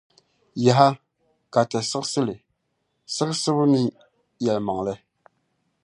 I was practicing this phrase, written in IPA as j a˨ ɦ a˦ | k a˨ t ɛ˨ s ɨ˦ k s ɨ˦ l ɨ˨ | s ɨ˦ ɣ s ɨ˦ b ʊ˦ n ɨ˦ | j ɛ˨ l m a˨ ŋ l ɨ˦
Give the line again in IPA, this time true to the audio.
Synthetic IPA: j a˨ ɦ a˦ | k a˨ t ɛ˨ s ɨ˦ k s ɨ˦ l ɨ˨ | s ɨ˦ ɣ s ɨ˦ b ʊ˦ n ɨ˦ | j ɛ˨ l m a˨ ŋ l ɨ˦